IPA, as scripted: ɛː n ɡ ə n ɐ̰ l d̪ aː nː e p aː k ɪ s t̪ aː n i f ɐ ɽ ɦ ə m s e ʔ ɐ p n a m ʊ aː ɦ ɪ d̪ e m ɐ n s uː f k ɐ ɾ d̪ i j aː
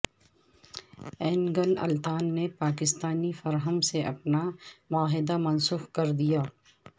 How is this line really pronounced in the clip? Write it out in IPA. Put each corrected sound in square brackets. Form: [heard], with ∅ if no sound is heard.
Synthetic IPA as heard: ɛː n ɡ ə n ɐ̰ l [t̪] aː nː e p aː k ɪ s t̪ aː n i f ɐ [ɾ] ɦ ə m s e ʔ ɐ p n a m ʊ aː ɦ ɪ d̪ [a] m ɐ n s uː [x] k ɐ ɾ d̪ i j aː